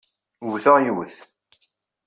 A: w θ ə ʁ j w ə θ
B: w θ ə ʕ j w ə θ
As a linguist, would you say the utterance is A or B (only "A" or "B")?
A